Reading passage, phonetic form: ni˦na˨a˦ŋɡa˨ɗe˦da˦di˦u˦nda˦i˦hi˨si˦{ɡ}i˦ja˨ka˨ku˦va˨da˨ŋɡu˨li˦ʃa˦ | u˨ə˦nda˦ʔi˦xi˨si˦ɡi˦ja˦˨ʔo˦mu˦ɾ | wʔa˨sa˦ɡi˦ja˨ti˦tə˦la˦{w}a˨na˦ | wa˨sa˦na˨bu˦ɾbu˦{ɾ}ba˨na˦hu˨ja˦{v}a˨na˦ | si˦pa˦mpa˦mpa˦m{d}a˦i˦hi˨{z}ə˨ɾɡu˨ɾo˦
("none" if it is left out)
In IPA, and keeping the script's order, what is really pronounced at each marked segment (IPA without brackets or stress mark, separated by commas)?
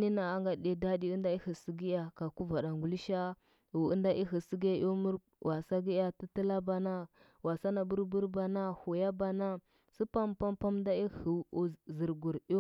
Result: ɡ, b, ɾ, b, d, z